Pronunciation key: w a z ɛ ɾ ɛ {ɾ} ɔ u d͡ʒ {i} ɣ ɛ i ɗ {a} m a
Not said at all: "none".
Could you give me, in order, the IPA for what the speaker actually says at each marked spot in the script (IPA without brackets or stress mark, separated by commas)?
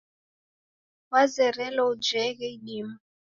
l, ɛ, i